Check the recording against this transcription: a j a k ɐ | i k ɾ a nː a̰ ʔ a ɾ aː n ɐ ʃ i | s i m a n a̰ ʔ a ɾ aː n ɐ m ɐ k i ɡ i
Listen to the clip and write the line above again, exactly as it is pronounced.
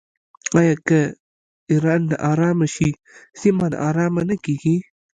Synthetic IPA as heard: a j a k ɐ | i ɾ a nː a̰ ʔ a ɾ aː m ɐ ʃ i | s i m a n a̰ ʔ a ɾ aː m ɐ n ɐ k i ɡ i